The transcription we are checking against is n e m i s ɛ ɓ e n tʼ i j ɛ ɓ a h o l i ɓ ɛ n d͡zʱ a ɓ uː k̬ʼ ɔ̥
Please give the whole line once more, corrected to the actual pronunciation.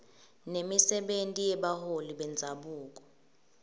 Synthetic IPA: n e m i s ɛ ɓ e n tʼ i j ɛ ɓ a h o l i ɓ ɛ n d͡zʱ a ɓ uː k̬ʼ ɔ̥